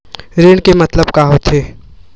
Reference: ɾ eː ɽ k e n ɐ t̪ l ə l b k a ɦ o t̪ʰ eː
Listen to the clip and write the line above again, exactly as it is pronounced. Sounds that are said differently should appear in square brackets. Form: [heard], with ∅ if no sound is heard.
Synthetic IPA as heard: ɾ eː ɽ k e [m] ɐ t̪ l ə [∅] b k a ɦ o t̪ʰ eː